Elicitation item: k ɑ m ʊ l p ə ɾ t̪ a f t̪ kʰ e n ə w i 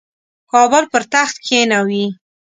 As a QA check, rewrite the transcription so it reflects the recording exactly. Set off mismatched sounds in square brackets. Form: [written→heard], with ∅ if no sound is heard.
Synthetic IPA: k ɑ [m→b] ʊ l p ə ɾ t̪ a [f→x] t̪ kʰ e n [ə→a] w i